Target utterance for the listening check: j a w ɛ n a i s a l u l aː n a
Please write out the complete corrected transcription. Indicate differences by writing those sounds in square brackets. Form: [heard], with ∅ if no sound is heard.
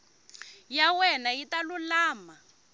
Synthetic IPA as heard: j a w ɛ n a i [t] a l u l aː [m] a

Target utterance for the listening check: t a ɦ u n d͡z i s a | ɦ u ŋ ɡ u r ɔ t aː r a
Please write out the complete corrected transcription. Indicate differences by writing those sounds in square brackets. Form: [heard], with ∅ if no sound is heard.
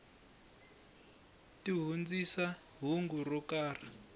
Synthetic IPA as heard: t [i] ɦ u n d͡z i s a | ɦ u ŋ ɡ u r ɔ [k] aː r a

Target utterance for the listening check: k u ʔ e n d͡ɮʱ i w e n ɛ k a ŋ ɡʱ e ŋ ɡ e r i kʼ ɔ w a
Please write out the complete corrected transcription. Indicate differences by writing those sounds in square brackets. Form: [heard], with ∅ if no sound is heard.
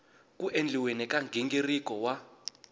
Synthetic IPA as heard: k u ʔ e n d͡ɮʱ i w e n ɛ k a ŋ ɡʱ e ŋ ɡ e r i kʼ ɔ w a

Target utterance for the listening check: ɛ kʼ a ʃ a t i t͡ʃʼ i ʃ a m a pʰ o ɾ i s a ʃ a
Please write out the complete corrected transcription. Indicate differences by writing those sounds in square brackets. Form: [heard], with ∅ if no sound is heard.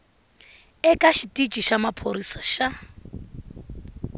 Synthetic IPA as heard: ɛ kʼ a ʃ [i] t i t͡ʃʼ i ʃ a m a pʰ o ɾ i s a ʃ a

